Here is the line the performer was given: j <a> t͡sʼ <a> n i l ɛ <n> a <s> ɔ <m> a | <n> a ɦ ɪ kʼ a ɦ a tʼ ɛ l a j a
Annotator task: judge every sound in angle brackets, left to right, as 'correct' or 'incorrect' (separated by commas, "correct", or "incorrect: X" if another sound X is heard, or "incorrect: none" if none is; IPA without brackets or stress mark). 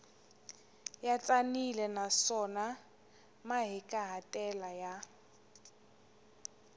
correct, correct, correct, correct, incorrect: n, incorrect: m